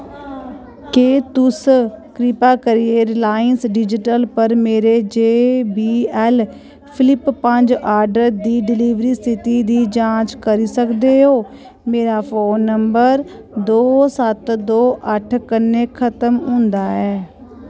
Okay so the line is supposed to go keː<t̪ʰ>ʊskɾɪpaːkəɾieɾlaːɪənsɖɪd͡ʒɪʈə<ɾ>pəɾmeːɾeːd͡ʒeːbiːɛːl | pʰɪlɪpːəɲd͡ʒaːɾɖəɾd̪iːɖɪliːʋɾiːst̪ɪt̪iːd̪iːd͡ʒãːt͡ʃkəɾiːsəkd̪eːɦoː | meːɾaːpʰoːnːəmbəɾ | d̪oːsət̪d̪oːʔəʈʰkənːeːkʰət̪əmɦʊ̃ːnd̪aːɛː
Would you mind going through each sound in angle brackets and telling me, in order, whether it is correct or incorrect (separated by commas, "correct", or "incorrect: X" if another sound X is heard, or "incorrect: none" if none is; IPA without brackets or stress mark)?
incorrect: t̪, incorrect: l